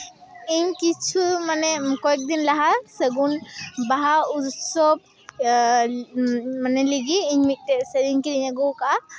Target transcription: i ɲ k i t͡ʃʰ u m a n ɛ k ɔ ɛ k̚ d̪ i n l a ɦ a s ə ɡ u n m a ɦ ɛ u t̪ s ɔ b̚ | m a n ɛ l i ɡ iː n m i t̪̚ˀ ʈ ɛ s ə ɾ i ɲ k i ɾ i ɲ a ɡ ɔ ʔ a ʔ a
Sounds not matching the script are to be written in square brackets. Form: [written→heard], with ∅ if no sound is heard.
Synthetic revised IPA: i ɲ k i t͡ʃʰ u m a n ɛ k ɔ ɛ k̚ d̪ i n l a ɦ a s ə ɡ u n [m→b] a ɦ [ɛ→a] u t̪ s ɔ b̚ | m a n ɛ l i ɡ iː [n→ɲ] m i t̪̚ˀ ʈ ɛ s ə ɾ i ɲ k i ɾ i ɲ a ɡ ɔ [ʔ→k] a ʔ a